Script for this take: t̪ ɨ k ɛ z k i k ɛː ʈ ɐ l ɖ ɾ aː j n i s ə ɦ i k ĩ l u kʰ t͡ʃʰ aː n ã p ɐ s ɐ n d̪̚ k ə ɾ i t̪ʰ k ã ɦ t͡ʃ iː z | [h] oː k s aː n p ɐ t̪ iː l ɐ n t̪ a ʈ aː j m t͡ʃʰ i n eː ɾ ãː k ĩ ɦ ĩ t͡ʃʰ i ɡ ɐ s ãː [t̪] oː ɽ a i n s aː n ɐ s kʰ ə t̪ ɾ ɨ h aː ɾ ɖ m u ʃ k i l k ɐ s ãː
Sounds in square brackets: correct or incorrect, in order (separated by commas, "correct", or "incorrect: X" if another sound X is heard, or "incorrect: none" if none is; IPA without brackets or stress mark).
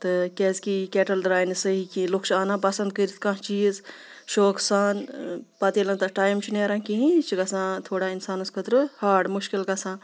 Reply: incorrect: ʃ, incorrect: t̪ʰ